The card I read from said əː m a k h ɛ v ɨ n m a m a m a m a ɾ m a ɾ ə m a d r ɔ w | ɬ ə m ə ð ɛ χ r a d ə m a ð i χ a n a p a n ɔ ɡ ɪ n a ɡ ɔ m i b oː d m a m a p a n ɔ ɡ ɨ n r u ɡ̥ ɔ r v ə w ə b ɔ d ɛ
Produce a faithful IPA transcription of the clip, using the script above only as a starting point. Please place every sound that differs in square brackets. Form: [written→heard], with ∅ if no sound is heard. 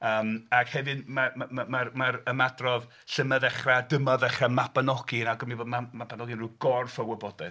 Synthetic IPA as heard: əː m a k h ɛ v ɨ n m a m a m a m a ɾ m a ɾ ə m a d r ɔ [w→v] | ɬ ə m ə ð ɛ χ r a d ə m a ð [i→ɛ] χ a [n→m] a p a n ɔ ɡ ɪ n a ɡ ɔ m i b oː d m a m a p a n ɔ ɡ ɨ n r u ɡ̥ ɔ r [v→f] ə w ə b ɔ d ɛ